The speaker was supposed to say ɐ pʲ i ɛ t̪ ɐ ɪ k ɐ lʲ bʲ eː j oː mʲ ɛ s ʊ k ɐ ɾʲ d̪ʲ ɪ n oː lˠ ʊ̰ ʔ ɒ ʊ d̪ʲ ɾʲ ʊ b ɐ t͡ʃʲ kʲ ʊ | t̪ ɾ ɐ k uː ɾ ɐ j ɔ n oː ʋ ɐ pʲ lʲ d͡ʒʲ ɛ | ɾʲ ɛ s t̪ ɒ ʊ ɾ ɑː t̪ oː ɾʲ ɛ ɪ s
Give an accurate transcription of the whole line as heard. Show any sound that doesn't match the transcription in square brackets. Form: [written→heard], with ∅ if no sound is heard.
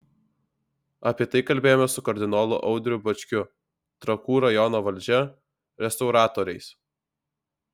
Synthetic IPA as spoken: ɐ pʲ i ɛ t̪ ɐ ɪ k ɐ lʲ bʲ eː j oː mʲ ɛ s ʊ k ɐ ɾʲ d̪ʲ ɪ n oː lˠ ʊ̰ ʔ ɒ ʊ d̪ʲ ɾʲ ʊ b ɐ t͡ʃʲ kʲ ʊ | t̪ ɾ ɐ k uː ɾ ɐ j ɔ n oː ʋ ɐ [pʲ→∅] lʲ d͡ʒʲ ɛ | ɾʲ ɛ s t̪ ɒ ʊ ɾ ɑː t̪ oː ɾʲ ɛ ɪ s